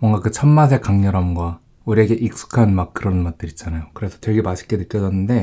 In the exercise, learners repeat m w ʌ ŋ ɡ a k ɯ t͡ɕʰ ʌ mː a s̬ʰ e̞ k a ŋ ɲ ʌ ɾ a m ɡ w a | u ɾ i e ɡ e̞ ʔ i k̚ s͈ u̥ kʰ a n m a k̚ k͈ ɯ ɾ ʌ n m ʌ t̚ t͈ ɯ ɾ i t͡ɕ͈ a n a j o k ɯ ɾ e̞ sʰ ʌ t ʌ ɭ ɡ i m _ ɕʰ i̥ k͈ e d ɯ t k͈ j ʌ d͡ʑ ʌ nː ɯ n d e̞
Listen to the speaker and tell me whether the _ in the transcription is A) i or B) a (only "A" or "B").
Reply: B